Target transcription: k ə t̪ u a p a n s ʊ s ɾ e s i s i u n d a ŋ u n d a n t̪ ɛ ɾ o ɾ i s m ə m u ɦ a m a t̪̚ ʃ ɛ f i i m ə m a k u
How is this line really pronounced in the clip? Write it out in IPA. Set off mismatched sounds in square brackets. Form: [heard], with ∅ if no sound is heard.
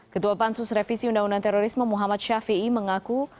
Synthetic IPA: k ə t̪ u a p a n s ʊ s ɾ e [f] i s i u n d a ŋ u n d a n t̪ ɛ ɾ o ɾ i s m ə m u ɦ a m a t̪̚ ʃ [a] f i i m ə [ŋ] a k u